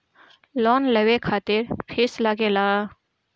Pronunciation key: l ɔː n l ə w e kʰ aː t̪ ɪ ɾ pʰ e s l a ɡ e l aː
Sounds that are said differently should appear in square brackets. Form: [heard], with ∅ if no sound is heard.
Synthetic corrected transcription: l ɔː n l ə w e kʰ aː t̪ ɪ ɾ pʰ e s l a ɡ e l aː